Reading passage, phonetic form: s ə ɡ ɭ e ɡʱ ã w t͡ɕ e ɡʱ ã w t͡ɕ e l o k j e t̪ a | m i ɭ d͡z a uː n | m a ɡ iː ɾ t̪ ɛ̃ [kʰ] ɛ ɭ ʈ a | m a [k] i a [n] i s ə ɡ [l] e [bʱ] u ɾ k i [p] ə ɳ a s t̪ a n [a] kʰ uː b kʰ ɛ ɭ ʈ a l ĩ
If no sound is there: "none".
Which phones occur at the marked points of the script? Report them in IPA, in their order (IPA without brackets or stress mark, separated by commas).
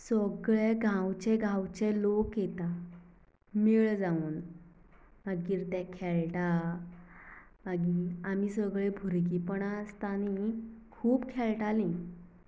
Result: kʰ, ɡ, m, ɭ, bʱ, p, i